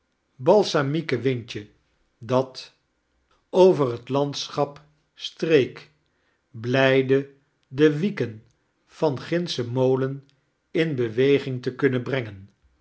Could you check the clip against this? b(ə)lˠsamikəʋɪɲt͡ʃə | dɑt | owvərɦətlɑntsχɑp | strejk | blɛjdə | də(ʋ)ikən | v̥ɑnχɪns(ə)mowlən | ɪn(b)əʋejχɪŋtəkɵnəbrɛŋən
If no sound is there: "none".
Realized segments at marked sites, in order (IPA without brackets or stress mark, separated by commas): ɑ, ʋ, ə, b